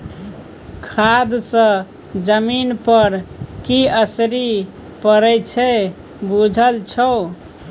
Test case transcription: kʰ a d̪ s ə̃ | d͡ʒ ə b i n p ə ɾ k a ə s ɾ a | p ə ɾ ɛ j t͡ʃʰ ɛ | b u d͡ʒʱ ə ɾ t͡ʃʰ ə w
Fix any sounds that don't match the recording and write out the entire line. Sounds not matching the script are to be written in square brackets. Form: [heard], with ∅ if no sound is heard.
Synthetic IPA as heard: kʰ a d̪ s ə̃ | d͡ʒ ə [m] i n p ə ɾ k [i] ə s ɾ [i] | p ə ɾ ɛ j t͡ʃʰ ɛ | b u d͡ʒʱ ə [l] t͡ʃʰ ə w